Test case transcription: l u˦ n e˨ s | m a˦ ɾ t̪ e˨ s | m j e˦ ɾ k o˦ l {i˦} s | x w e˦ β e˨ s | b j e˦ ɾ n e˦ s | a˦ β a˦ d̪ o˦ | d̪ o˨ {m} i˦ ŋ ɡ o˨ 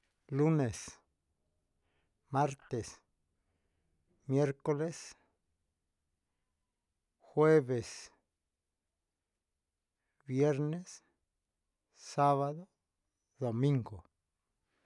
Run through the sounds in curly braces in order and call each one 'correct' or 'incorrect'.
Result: incorrect, correct

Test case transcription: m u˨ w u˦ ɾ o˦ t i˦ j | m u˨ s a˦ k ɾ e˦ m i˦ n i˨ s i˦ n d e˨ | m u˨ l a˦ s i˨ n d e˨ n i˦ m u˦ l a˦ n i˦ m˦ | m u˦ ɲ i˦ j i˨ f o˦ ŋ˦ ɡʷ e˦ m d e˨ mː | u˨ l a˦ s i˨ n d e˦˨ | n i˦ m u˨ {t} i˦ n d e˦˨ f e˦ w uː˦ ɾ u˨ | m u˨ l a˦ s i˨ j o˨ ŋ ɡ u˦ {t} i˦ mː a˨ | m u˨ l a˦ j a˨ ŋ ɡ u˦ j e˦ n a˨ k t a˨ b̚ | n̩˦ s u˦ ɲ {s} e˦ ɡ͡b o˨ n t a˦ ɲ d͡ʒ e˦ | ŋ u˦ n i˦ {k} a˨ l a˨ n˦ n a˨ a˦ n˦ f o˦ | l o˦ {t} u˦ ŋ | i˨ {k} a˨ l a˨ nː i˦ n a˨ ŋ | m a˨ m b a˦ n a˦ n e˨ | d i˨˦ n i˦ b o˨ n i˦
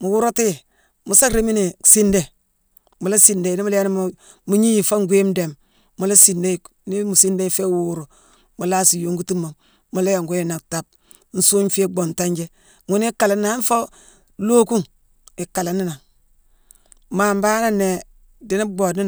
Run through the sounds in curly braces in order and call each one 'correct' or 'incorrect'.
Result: incorrect, correct, incorrect, correct, incorrect, correct

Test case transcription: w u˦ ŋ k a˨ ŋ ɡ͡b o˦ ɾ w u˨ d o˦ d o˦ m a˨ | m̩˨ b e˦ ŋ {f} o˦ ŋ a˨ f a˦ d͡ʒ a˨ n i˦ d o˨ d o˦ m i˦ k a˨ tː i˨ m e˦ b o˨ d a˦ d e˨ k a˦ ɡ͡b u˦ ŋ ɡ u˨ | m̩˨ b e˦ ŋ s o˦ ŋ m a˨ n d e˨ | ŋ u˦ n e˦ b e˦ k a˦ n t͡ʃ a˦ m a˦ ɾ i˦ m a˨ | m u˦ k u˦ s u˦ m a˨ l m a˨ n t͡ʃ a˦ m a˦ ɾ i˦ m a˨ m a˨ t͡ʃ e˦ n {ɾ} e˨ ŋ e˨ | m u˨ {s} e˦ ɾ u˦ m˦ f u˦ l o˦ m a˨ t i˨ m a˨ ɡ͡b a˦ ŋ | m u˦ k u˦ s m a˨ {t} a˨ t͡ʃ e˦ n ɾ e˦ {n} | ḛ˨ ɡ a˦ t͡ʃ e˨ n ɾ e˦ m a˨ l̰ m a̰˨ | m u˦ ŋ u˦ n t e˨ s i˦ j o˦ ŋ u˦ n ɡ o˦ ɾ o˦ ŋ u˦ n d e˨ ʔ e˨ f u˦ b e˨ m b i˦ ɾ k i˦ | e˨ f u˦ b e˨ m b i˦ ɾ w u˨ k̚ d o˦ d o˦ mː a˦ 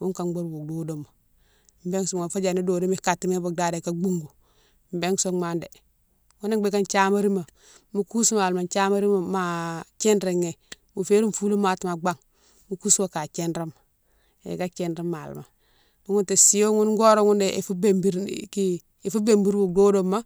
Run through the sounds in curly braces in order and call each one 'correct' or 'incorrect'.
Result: incorrect, correct, incorrect, incorrect, incorrect

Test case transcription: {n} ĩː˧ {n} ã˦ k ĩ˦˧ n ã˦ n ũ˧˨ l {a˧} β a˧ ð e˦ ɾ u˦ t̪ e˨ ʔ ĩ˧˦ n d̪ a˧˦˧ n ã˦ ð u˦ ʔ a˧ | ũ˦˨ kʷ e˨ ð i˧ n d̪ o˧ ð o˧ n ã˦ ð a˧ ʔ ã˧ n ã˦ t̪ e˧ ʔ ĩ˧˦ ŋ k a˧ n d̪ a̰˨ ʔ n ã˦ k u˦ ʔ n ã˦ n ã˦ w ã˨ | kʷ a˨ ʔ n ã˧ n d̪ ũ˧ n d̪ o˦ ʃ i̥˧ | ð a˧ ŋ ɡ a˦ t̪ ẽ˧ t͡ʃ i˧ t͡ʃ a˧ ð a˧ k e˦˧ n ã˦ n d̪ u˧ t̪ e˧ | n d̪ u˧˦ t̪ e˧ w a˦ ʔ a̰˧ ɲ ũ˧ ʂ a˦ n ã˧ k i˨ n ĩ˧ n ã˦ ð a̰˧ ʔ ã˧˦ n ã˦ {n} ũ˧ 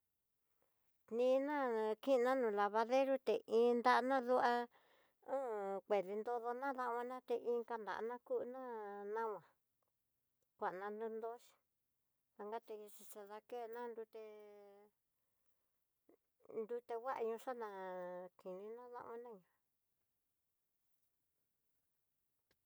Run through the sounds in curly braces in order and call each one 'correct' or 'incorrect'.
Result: correct, correct, correct, incorrect

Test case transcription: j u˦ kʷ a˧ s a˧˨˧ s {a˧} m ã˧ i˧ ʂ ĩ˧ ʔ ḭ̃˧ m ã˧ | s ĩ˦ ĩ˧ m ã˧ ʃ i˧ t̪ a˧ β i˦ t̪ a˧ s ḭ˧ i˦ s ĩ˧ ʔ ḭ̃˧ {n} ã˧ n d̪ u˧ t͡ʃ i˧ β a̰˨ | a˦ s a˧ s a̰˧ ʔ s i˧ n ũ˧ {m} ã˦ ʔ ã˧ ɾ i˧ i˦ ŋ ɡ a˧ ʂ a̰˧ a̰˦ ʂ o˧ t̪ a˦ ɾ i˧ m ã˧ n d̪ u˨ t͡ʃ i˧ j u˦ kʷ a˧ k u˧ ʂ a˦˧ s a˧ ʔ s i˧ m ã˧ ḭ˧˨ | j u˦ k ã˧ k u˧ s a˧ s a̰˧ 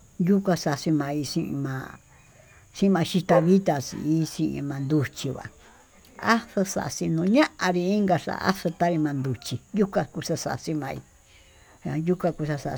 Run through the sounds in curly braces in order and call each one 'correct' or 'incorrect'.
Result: incorrect, incorrect, incorrect

